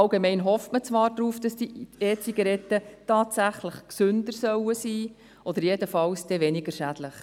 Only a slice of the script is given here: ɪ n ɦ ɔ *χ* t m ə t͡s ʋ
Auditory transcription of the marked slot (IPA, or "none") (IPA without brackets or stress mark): f